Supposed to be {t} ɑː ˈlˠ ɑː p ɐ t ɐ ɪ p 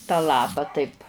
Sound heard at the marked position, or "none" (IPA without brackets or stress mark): t